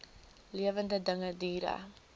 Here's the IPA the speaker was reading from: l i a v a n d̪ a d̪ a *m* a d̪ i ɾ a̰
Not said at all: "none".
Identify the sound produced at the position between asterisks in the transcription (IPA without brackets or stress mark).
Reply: ŋ